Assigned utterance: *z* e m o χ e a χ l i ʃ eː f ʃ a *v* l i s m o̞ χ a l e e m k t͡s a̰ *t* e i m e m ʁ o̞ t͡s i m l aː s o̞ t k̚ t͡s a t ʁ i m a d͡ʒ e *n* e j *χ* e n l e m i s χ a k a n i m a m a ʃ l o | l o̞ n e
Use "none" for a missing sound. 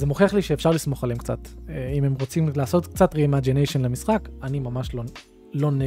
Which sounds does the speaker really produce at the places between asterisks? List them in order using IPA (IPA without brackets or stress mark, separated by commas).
z, ʁ, t, n, ʃ